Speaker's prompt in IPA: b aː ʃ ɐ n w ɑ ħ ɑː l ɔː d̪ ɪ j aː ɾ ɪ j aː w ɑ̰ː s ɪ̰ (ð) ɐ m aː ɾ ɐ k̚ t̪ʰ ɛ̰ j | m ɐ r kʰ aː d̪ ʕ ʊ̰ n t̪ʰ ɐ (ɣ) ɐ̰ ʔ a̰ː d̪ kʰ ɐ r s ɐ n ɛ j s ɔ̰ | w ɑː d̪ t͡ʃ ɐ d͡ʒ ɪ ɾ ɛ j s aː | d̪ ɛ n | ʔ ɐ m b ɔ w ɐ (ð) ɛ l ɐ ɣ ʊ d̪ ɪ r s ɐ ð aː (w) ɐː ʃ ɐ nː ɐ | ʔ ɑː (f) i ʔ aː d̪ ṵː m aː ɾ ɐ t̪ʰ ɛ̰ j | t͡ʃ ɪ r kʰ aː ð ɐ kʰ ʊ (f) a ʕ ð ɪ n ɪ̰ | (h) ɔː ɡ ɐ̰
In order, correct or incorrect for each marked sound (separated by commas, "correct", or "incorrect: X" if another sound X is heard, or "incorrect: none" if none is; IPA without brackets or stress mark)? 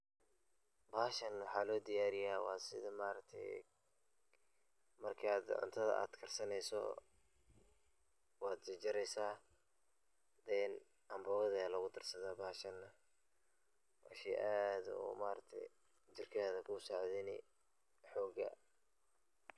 correct, incorrect: ð, correct, incorrect: b, incorrect: ʃ, incorrect: s, incorrect: ħ